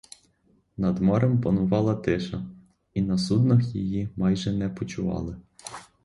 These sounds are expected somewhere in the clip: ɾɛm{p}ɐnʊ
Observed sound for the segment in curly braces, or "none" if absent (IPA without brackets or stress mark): p